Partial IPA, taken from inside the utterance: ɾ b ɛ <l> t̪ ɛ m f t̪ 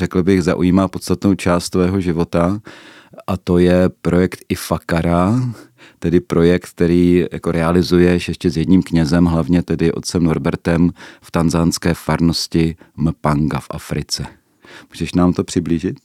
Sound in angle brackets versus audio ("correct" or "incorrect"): incorrect